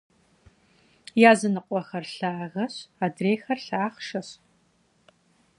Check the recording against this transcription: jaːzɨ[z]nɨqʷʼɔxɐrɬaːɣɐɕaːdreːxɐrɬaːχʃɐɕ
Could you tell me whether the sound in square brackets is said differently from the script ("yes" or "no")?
yes